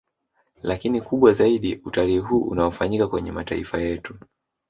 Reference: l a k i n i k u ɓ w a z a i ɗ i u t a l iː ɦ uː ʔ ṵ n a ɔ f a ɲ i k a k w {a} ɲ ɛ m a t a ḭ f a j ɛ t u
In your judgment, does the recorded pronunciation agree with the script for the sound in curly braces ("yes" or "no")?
no